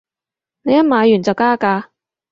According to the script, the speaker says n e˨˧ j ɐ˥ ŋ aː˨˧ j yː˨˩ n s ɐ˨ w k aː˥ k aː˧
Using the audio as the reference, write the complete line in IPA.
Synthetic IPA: n e˨˧ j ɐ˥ m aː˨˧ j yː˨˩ n t͡s ɐ˨ w k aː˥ k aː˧